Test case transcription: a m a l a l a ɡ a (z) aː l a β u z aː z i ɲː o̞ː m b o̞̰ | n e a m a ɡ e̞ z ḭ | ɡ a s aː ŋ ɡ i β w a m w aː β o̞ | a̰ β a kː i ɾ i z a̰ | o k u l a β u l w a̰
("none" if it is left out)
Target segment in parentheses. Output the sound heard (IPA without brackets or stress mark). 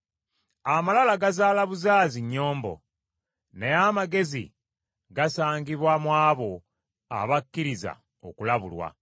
z